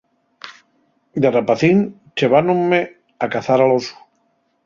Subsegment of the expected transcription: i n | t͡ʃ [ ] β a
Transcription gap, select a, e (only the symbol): e